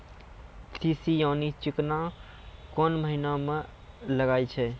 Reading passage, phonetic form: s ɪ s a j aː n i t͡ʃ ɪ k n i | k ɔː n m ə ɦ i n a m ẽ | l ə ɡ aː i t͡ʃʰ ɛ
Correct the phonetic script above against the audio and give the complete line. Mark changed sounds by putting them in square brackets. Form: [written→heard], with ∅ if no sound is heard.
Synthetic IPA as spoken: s [ɪ→i] s [a→i] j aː n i t͡ʃ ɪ k n [i→a] | k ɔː n m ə ɦ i n a m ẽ | l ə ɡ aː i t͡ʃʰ ɛ